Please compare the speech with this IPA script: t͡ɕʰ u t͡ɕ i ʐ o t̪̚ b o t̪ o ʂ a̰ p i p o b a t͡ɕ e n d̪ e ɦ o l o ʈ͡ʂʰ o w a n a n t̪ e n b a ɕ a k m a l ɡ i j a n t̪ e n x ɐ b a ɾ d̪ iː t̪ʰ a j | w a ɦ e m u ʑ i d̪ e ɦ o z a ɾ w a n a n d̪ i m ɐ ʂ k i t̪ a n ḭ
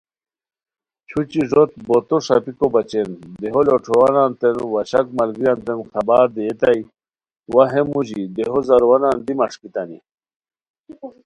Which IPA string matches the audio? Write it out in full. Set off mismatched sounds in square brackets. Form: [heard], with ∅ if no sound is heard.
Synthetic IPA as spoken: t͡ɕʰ u t͡ɕ i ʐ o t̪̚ b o t̪ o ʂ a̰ p i [k] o b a t͡ɕ e n d̪ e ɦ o l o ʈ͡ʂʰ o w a n a n t̪ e n [w] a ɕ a k m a l ɡ i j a n t̪ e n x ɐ b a ɾ d̪ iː [t̪] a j | w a ɦ e m u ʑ i d̪ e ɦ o z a ɾ w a n a n d̪ i m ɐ ʂ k i t̪ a n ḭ